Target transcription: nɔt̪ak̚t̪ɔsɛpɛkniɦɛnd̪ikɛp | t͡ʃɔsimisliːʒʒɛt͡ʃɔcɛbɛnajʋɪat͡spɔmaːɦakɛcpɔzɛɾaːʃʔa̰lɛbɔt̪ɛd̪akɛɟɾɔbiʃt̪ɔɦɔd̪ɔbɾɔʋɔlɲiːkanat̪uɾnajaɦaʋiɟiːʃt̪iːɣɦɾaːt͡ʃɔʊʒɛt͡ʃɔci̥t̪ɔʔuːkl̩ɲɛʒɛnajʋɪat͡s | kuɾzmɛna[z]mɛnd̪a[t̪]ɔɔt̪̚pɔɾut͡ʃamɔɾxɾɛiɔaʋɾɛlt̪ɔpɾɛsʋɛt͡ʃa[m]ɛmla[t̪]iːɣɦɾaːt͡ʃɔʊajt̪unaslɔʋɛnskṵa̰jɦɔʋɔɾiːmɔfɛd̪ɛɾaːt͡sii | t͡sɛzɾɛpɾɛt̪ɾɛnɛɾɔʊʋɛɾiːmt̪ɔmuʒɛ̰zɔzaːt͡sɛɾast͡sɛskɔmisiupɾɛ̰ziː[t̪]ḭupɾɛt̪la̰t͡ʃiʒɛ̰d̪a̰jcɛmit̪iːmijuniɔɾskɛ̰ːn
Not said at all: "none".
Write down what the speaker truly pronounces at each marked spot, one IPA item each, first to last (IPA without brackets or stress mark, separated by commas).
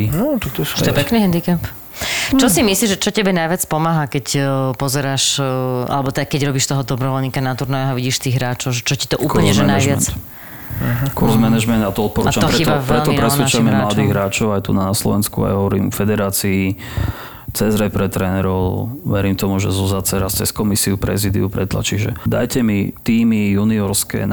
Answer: ʒ, t̪, m, d̪, d̪